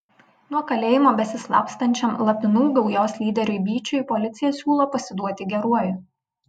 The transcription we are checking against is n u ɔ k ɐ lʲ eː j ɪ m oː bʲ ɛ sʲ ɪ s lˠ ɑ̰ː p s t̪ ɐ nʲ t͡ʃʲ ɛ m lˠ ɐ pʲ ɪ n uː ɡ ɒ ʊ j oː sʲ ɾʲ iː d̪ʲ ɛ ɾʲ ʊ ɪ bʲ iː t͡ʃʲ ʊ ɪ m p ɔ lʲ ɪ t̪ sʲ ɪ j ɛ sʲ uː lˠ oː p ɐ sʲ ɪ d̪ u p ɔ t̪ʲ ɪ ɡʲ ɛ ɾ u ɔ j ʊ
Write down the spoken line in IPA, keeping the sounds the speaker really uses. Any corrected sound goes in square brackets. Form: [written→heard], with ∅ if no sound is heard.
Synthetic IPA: n u ɔ k ɐ lʲ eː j ɪ m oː bʲ ɛ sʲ ɪ s lˠ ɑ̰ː p s t̪ ɐ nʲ t͡ʃʲ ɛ m lˠ ɐ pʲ ɪ n uː ɡ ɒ ʊ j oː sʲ [ɾʲ→lʲ] iː d̪ʲ ɛ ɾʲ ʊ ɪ bʲ iː t͡ʃʲ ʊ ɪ [m→∅] p ɔ lʲ ɪ t̪ sʲ ɪ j ɛ sʲ uː lˠ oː p ɐ sʲ ɪ d̪ u [p→∅] ɔ t̪ʲ ɪ ɡʲ ɛ ɾ u ɔ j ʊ